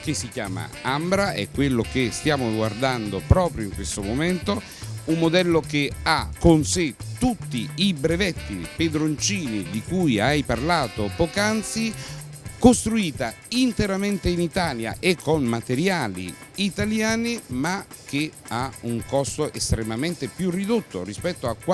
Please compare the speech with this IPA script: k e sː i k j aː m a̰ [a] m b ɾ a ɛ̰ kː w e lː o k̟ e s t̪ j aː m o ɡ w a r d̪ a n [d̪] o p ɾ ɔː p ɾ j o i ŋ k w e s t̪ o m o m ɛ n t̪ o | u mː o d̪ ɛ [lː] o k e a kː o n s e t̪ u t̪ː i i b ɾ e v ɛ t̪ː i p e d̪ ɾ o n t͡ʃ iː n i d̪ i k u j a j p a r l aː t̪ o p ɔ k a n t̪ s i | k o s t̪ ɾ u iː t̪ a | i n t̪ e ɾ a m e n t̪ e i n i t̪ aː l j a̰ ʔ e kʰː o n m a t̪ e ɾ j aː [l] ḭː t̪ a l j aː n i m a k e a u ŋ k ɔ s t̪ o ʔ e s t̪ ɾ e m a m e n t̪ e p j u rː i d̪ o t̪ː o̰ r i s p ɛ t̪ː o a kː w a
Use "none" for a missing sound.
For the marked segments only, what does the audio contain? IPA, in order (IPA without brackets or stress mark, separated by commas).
a, d̪, lː, l